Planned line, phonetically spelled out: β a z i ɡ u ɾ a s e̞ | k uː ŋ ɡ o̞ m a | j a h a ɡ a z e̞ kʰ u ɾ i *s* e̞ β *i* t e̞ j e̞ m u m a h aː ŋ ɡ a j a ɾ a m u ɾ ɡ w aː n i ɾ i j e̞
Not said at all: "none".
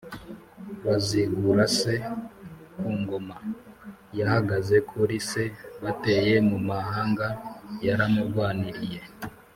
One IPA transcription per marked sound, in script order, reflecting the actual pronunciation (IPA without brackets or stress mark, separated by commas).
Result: s, a